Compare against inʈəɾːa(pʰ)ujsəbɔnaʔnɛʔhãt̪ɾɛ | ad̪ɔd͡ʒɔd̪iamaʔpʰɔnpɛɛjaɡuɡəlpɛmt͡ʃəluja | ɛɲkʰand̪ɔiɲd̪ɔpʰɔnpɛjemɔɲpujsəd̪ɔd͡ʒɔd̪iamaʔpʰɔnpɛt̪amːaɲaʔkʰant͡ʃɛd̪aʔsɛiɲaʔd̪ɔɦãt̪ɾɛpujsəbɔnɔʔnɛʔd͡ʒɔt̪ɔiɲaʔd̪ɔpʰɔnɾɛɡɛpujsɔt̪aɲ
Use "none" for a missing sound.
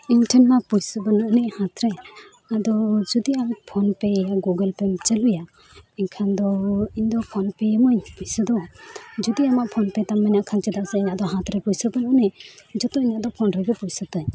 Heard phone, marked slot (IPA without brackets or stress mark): p